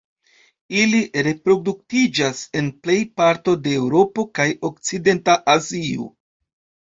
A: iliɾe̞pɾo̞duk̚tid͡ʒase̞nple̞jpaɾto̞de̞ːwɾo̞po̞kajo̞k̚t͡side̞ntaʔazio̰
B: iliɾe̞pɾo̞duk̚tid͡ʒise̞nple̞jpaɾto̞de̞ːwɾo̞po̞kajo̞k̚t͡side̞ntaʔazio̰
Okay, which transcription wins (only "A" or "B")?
A